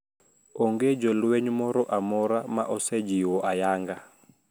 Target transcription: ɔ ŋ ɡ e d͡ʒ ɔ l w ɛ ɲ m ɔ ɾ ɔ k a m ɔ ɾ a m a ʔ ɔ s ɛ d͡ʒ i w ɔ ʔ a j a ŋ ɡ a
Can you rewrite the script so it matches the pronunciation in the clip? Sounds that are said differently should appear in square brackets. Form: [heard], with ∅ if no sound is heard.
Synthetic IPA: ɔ ŋ ɡ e d͡ʒ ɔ l w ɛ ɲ m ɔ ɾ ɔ [ʔ] a m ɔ ɾ a m a ʔ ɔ s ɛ d͡ʒ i w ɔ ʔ a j a ŋ ɡ a

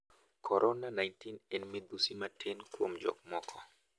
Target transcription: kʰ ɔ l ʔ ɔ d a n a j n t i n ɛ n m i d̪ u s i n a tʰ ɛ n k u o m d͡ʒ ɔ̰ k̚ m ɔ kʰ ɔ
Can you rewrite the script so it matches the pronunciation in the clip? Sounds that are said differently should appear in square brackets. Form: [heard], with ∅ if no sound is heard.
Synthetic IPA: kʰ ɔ [ɾ] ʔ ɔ [n] a n a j n t i n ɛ n m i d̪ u s i [m] a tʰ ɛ n k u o m d͡ʒ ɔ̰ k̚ m ɔ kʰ ɔ

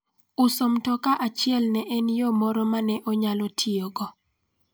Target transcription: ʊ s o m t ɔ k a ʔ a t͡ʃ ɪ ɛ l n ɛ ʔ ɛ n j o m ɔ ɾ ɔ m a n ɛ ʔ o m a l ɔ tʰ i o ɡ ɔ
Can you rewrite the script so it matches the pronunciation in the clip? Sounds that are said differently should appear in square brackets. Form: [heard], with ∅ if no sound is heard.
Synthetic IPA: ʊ s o m t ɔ k a ʔ a t͡ʃ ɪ ɛ l n ɛ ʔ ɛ n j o m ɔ ɾ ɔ m a n ɛ ʔ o [ɲ] a l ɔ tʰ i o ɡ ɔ

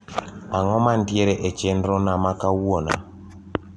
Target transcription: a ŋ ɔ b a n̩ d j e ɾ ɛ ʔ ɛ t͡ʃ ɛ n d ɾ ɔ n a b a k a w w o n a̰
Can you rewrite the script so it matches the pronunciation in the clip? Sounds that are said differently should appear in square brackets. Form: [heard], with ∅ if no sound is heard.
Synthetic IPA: a ŋ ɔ [m] a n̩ d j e ɾ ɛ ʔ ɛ t͡ʃ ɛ n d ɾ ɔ n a [m] a k a w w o n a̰

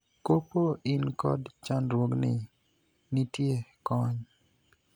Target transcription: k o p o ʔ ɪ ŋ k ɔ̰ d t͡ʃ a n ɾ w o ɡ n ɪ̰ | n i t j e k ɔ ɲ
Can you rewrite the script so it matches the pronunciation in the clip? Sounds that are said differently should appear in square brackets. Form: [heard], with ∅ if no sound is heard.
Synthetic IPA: k o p o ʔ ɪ [n] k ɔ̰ d t͡ʃ a n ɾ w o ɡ n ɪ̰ | n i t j e k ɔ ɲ

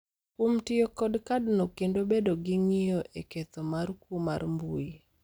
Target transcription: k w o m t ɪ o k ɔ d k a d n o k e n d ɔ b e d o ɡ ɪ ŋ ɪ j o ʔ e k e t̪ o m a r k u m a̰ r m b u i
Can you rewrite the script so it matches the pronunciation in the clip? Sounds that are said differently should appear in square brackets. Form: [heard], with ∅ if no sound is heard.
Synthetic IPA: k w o m t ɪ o k ɔ d k a d n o k e n d [o] b e d o ɡ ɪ ŋ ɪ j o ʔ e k e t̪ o m a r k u m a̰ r m b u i

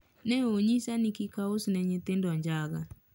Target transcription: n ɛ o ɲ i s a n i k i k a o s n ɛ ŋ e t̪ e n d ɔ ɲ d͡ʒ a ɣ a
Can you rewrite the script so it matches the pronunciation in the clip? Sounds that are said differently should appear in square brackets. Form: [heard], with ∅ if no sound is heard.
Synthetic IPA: n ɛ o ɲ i s a n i k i k a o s n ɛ [ɲ] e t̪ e n d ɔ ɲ d͡ʒ a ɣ a

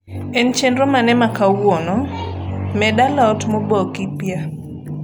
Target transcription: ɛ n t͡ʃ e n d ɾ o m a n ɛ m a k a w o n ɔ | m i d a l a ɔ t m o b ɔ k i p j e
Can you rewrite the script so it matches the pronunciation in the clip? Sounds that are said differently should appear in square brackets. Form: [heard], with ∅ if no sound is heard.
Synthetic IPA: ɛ n t͡ʃ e n d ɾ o m a n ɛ m a k a w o n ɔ | m [ɛ] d a l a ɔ t m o b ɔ k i p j [a]

